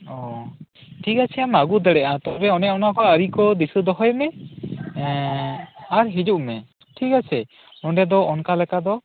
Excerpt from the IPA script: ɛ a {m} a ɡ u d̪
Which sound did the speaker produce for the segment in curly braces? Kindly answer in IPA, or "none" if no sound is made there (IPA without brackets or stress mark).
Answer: m